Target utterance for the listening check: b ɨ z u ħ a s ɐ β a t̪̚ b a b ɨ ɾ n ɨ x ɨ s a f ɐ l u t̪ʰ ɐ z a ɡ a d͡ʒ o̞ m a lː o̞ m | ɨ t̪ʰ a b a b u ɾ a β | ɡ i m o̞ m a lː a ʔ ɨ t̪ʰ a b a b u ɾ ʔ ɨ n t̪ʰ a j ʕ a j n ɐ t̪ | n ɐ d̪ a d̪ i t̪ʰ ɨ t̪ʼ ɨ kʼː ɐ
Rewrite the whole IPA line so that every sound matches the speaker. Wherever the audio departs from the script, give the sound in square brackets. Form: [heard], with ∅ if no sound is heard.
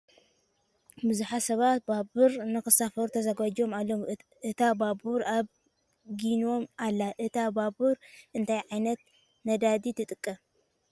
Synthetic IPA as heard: b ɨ z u ħ a s ɐ β a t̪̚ b a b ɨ ɾ n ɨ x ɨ s a f ɐ [ɾ] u t̪ʰ ɐ z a ɡ a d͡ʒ o̞ m a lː o̞ m | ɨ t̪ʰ a b a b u ɾ a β | ɡ i [n] o̞ m a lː a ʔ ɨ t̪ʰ a b a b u ɾ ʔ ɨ n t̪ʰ a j ʕ a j n ɐ t̪ | n ɐ d̪ a d̪ i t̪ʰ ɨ t̪ʼ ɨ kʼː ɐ